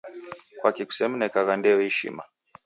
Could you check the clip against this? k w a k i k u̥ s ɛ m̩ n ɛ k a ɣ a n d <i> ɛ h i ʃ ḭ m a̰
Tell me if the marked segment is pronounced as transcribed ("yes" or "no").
no